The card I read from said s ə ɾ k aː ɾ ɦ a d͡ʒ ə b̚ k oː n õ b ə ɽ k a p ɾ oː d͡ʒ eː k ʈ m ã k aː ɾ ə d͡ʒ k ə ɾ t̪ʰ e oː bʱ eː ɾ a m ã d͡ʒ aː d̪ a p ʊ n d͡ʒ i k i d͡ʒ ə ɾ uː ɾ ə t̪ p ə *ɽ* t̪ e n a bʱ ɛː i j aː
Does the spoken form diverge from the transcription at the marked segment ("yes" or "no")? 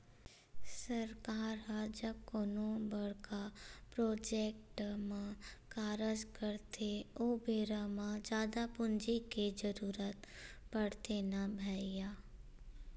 no